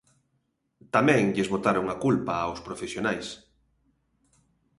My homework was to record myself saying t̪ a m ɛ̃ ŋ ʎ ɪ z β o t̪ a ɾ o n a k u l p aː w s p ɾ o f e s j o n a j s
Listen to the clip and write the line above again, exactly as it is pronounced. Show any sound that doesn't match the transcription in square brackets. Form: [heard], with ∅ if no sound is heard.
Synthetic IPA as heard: t̪ a m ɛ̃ ŋ ʎ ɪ z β o t̪ a ɾ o [ŋ] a k u l p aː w s p ɾ o f e s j o n a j s